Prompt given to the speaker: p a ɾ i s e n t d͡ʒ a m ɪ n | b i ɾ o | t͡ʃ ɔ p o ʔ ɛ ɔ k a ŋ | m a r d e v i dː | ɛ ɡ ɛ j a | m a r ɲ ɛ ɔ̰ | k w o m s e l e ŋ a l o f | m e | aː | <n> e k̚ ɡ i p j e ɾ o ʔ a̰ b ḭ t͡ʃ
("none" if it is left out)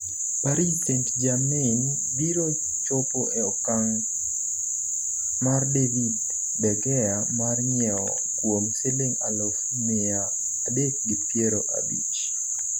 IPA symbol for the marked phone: d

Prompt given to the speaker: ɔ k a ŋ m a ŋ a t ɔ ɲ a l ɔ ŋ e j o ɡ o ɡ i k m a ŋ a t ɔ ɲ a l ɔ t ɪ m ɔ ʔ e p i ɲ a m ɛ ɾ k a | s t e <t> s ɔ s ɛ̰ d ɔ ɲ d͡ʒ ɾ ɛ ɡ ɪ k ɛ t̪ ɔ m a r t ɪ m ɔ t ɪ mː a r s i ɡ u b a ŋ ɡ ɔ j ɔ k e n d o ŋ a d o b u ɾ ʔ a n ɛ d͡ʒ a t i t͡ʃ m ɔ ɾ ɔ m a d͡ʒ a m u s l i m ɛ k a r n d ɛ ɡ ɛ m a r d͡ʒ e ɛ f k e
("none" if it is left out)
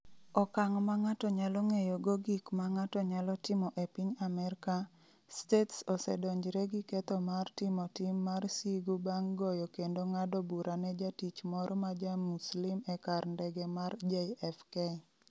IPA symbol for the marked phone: t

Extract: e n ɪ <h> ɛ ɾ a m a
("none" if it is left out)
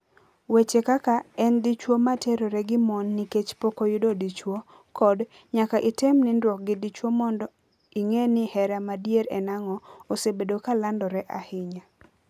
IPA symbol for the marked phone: h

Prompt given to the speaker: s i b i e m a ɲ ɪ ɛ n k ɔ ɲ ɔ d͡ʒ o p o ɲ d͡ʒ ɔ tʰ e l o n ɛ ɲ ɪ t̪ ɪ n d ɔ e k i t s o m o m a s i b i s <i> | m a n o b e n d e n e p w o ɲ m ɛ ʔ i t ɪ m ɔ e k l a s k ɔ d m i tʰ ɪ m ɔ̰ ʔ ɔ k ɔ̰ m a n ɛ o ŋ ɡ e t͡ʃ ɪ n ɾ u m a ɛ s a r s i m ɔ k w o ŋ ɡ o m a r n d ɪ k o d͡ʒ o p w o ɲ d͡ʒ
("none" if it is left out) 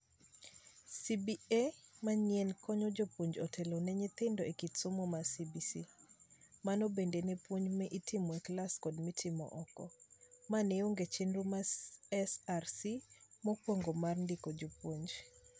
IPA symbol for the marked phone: i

